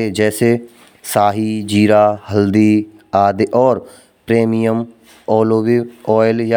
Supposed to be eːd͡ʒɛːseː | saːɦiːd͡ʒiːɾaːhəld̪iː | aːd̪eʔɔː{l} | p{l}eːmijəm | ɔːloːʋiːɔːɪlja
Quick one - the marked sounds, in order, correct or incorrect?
incorrect, incorrect

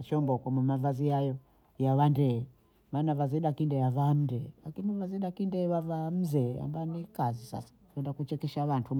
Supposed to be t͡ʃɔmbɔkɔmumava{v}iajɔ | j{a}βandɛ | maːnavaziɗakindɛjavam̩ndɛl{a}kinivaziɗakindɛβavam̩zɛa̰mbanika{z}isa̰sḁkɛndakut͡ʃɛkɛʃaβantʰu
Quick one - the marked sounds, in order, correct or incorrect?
incorrect, correct, correct, correct

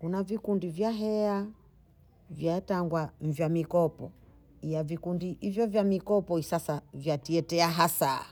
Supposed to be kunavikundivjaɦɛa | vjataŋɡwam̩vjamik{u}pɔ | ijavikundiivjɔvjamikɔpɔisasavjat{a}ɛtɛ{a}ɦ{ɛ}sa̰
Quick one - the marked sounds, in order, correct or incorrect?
incorrect, incorrect, correct, incorrect

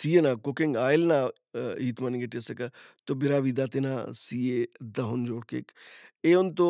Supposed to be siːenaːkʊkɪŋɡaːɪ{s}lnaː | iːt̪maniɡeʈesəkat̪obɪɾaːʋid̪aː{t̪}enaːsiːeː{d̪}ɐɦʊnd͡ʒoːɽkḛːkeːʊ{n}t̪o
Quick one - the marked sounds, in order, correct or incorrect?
incorrect, correct, correct, correct

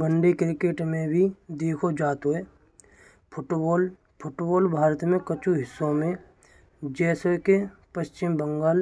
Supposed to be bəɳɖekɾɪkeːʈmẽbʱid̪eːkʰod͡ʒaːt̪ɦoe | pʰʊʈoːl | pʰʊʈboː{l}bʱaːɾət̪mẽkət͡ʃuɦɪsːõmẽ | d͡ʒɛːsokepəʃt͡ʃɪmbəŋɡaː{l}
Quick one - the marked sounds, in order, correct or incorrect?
correct, correct

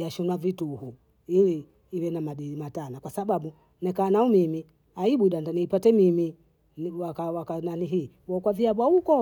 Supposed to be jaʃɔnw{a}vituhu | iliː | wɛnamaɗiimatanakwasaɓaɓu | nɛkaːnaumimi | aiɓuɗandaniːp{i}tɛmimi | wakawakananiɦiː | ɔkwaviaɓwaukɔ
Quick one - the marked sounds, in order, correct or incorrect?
correct, incorrect

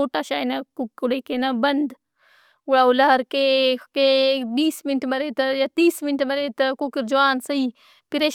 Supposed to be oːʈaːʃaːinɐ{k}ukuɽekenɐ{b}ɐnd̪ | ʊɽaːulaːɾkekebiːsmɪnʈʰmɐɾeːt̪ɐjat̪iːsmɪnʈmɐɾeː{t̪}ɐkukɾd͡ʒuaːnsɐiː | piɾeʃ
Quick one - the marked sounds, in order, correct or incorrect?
correct, correct, correct

